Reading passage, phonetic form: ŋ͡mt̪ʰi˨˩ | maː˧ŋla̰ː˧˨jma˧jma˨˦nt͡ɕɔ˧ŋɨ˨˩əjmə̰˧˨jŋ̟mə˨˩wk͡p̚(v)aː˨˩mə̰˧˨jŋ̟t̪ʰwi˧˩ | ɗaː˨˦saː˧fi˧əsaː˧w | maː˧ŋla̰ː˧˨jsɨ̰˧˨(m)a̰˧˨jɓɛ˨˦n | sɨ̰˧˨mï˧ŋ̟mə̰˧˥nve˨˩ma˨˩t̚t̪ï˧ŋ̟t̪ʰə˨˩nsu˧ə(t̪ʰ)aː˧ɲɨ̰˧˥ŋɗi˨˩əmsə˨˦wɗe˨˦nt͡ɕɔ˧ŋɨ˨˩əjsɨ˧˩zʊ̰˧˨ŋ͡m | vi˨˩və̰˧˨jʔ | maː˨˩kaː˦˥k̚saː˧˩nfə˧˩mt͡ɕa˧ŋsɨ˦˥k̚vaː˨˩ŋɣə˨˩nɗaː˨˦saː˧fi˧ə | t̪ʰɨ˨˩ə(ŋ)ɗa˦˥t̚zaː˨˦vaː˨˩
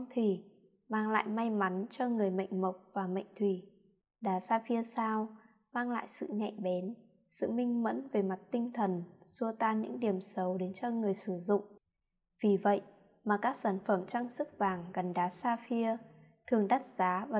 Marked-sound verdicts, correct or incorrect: correct, incorrect: ɲ, incorrect: t̪, correct

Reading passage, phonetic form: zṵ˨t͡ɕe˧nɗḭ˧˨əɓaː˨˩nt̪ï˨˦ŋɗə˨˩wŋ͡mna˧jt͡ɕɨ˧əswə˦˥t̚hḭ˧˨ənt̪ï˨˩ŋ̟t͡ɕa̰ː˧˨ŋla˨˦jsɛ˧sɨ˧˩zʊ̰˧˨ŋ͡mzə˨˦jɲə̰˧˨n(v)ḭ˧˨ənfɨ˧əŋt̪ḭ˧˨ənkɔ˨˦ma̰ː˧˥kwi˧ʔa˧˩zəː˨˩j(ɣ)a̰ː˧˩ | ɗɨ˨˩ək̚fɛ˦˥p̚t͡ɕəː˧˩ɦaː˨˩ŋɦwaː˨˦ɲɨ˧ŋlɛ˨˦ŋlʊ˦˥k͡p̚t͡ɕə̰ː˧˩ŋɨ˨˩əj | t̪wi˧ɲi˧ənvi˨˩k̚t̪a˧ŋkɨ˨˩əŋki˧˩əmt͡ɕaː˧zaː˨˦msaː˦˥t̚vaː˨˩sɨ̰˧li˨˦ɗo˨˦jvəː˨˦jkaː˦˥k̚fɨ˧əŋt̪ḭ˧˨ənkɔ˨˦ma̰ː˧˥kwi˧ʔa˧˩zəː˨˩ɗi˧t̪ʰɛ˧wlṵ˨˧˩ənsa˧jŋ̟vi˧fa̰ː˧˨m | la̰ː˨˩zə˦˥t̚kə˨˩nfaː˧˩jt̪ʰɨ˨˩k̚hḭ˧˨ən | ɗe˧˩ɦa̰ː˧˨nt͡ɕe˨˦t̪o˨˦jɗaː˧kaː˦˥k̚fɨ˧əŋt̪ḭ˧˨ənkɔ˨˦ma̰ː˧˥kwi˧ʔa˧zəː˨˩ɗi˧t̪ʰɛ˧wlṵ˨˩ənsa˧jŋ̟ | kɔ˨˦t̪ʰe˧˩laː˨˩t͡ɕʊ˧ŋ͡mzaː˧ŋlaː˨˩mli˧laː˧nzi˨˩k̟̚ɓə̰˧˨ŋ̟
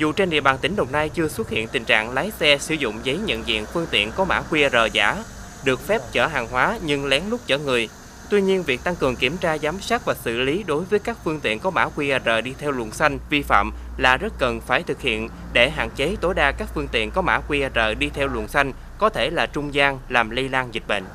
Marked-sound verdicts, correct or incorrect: incorrect: z, incorrect: z

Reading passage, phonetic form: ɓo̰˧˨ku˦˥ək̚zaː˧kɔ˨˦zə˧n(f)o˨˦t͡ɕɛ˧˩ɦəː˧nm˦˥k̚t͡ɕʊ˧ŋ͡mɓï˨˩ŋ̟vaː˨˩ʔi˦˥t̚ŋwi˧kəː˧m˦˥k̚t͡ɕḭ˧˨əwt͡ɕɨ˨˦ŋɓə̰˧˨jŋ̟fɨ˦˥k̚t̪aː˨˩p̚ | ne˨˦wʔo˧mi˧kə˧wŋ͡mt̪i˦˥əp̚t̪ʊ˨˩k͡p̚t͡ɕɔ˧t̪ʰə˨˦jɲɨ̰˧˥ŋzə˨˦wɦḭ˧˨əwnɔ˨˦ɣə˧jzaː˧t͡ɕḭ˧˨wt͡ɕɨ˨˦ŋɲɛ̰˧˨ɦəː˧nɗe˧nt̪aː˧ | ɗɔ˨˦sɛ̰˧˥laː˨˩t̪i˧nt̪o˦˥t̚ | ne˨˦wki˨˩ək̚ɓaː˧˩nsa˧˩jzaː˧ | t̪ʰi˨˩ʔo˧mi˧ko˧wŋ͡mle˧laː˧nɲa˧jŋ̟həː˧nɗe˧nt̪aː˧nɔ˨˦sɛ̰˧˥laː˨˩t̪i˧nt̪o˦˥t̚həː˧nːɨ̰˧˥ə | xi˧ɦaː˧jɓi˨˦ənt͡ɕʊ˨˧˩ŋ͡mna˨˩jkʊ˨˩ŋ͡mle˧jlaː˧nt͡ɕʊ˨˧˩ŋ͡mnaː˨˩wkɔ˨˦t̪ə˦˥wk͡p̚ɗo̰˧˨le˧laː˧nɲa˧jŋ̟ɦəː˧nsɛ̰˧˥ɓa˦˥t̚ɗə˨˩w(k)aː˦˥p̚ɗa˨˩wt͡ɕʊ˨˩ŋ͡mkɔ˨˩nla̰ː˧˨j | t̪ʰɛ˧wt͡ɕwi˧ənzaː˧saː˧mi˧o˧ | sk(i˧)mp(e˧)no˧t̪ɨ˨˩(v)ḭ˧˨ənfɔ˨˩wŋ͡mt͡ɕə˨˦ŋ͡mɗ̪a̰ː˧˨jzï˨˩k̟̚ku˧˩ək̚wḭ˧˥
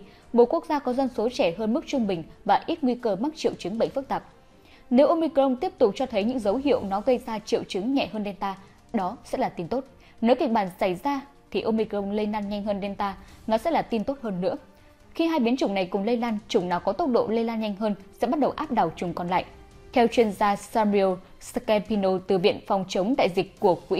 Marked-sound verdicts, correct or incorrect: incorrect: s, incorrect: ʔ, incorrect: ɛ˧, incorrect: i˧, correct

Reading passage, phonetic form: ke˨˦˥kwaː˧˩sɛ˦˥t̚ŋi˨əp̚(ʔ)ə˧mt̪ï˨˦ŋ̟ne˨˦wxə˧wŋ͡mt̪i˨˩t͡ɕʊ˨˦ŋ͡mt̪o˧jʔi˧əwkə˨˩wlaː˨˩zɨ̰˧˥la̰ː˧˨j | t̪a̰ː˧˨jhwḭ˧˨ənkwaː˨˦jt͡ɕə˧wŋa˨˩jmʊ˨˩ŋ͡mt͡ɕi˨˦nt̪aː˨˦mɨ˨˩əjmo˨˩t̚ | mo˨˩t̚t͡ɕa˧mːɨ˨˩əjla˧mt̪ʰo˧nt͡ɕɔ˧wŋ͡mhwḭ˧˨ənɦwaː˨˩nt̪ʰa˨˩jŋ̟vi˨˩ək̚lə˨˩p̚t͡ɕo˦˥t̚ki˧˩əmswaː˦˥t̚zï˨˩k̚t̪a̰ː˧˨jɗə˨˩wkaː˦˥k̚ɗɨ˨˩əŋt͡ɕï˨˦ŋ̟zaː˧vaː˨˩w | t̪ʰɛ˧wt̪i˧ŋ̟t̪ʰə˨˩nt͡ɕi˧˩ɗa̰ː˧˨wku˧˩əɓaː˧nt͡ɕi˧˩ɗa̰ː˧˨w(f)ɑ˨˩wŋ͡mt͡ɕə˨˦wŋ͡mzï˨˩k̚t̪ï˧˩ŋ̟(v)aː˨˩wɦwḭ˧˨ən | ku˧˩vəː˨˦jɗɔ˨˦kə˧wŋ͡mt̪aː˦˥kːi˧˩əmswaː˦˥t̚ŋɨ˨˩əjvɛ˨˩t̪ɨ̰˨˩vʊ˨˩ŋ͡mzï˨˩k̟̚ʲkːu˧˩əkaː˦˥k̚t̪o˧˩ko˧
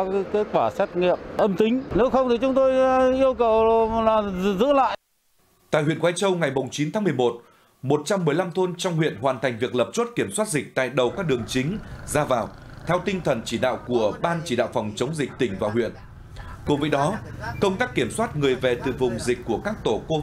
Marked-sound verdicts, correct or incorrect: correct, correct, correct

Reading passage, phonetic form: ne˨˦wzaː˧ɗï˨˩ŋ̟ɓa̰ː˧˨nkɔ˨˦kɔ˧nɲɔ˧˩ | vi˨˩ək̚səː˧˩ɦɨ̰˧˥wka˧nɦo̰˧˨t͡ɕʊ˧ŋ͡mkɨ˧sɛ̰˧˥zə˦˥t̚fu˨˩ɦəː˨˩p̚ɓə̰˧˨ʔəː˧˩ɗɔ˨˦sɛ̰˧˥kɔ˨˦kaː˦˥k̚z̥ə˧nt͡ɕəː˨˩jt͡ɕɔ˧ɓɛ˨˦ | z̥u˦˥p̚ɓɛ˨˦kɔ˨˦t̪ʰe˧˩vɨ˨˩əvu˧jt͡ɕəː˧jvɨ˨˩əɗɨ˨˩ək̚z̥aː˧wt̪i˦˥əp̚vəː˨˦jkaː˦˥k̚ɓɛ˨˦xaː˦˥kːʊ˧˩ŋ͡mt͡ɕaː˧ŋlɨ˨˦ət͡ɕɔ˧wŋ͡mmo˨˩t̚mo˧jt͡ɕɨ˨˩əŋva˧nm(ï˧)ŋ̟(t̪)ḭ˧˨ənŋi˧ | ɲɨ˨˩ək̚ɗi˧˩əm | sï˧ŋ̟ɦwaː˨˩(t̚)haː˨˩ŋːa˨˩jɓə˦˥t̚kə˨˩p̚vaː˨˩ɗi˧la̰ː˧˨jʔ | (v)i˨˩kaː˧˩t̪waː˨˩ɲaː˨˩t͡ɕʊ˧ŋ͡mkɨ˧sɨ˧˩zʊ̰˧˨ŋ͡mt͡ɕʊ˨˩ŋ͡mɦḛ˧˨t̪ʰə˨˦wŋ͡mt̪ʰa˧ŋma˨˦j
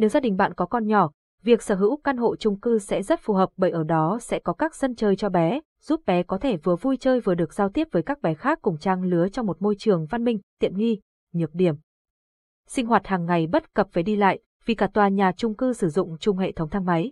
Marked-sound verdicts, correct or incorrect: correct, correct, correct, correct

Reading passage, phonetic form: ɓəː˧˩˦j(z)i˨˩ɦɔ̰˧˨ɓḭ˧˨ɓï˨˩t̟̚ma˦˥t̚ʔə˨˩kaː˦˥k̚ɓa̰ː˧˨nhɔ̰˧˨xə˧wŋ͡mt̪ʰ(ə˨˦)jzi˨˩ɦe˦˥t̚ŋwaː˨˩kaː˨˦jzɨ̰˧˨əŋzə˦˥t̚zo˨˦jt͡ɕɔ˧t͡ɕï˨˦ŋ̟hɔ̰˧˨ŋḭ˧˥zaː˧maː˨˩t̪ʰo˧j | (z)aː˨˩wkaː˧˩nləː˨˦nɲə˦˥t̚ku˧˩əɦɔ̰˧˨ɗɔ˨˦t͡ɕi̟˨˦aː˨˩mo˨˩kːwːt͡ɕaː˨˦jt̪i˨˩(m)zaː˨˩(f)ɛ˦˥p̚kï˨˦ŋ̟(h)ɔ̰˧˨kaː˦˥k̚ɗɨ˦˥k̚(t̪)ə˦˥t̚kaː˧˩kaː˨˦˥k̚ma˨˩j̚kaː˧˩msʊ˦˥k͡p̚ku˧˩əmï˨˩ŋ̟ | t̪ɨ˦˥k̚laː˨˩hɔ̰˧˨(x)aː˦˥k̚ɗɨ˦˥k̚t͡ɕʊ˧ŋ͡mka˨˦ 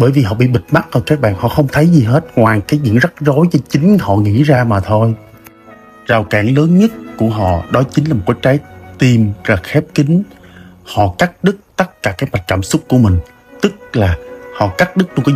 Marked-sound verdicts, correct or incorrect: incorrect: v, correct, correct, correct, incorrect: x, correct, correct, incorrect: k

